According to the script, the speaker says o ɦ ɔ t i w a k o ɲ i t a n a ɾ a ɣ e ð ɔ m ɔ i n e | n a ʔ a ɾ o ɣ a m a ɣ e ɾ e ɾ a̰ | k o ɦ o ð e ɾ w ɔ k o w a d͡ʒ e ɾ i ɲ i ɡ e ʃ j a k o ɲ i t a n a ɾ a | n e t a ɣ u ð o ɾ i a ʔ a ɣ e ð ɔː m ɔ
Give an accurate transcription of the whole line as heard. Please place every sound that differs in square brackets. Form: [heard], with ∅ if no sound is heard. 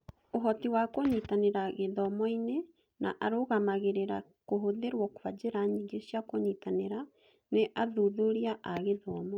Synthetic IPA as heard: o ɦ ɔ t i w a k o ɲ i t a n [e] ɾ a ɣ e ð ɔ m ɔ i n e | n a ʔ a ɾ o ɣ a m a ɣ e ɾ e ɾ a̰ | k o ɦ o ð e ɾ w ɔ k o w a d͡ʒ e ɾ [a] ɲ i ɡ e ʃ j a k o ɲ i t a n [e] ɾ a | n e [ʔ] a [ð] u ð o ɾ i a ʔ a ɣ e ð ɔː m ɔ